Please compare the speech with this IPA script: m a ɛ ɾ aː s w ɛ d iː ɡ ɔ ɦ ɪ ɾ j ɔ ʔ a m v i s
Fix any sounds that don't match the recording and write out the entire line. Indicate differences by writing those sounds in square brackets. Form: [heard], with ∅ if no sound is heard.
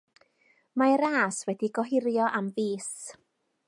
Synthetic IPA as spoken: m a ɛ ɾ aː s w ɛ d [i] ɡ ɔ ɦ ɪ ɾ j ɔ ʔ a m v [iː] s

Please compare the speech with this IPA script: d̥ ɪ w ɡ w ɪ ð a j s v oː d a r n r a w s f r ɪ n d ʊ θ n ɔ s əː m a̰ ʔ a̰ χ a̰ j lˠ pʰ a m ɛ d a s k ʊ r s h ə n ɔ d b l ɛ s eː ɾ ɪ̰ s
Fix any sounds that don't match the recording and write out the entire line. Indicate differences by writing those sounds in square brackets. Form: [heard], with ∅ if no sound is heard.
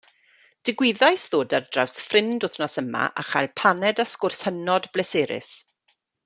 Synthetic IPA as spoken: d̥ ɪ [∅] ɡ w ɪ ð a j s [ð] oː d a r [d] r a w s f r ɪ n d ʊ θ n ɔ s [ə] m a̰ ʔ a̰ χ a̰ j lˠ pʰ a [n] ɛ d a s k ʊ r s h ə n ɔ d b l ɛ s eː ɾ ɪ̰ s

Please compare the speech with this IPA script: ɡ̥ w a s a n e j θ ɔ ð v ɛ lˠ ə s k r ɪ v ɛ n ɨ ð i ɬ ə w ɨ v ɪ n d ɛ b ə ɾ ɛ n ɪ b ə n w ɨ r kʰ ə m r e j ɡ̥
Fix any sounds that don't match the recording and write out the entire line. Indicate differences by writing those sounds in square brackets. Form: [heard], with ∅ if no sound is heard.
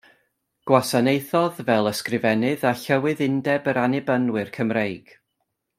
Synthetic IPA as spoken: ɡ̥ w a s a n e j θ ɔ ð v ɛ lˠ ə s k r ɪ v ɛ n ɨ ð [a] ɬ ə w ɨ [ð] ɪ n d ɛ b ə ɾ [a] n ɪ b ə n w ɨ r kʰ ə m r e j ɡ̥

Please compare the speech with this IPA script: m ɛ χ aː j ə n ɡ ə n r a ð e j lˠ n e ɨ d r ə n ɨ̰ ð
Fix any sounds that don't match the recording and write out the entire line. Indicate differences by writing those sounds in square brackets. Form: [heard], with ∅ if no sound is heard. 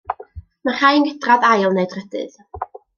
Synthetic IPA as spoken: m [a] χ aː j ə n ɡ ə [d] r a ð [a] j lˠ n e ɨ d r ə [d] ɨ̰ ð

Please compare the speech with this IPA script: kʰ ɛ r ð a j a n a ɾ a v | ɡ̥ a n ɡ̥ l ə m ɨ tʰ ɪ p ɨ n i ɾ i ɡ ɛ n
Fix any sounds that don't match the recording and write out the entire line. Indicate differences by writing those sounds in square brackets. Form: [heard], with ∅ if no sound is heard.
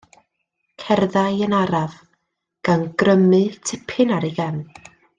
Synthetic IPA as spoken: kʰ ɛ r ð a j [ə] n a ɾ a v | ɡ̥ a n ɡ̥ [r] ə m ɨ tʰ ɪ [pʰ] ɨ n [a] ɾ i ɡ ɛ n

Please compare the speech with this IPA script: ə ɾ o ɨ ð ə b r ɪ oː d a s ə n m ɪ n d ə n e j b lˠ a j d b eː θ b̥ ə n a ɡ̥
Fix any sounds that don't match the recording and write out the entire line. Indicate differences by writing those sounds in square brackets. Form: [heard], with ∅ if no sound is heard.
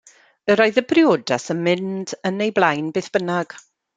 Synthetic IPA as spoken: ə ɾ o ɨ ð ə b r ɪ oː d a s ə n m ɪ n d ə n e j b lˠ a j [n] b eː θ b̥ ə n a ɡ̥

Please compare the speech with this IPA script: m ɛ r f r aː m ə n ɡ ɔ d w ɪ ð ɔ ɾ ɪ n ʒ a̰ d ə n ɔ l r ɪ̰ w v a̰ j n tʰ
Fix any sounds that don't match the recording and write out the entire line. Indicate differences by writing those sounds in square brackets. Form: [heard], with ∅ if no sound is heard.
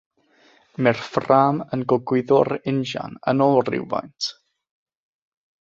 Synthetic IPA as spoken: m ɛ r f r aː m ə n ɡ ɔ [ɡ] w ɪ ð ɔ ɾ ɪ n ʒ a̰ [n] ə n ɔ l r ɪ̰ w v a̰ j n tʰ

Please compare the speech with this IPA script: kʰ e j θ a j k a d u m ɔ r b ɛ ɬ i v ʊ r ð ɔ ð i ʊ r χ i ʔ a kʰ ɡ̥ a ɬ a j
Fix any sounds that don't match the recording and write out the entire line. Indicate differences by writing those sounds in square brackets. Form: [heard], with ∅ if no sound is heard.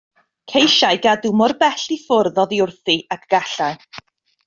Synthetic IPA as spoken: kʰ e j [ʃ] a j [ɡ] a d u m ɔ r b ɛ ɬ i [f] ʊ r ð ɔ ð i ʊ r [θ] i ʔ a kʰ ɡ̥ a ɬ a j

